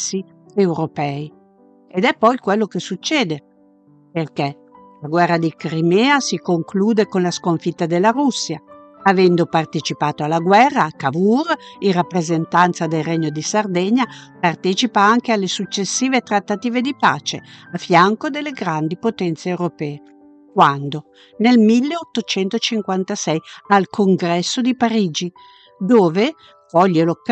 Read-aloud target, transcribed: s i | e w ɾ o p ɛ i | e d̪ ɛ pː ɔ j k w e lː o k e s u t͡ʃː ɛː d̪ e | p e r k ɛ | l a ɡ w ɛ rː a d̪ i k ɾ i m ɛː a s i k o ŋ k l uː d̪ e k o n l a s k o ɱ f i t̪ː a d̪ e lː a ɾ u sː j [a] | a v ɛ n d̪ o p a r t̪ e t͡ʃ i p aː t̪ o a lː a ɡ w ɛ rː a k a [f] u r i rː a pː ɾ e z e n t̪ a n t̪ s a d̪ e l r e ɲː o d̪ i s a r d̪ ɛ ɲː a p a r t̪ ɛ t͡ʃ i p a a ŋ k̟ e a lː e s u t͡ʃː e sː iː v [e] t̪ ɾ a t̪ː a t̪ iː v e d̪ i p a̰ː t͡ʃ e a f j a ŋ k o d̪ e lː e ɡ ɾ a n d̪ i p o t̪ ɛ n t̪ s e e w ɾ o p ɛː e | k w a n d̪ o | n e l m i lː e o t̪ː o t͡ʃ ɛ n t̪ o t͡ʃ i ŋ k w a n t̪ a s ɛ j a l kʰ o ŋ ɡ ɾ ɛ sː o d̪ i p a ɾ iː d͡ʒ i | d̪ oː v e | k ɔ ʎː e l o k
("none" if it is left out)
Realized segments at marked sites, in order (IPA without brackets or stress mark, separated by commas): a, v, e